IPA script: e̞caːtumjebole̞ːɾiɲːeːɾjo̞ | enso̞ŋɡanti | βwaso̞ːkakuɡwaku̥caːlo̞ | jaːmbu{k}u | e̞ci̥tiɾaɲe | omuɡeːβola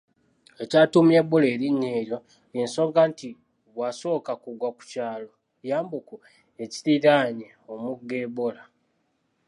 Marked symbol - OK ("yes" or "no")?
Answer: yes